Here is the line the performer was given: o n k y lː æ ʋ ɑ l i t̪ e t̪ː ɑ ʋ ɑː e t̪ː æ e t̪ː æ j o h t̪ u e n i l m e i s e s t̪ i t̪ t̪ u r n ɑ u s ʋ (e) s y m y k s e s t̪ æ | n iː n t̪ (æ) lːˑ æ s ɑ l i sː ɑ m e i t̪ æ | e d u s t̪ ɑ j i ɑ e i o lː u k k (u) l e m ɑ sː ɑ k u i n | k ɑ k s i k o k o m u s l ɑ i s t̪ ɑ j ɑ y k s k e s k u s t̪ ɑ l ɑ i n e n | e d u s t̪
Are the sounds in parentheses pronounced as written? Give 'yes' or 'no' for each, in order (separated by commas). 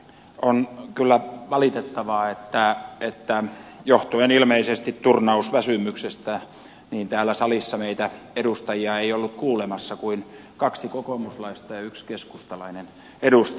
no, no, no